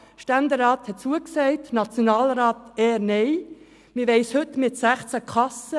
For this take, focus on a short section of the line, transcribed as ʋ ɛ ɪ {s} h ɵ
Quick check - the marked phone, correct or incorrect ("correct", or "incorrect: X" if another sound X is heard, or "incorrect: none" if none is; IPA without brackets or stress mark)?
correct